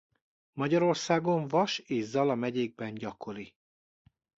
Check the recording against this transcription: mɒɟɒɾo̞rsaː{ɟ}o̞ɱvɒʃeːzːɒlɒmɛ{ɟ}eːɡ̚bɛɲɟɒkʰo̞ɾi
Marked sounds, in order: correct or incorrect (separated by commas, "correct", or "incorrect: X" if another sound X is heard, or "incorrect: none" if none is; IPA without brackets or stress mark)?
incorrect: ɡ, correct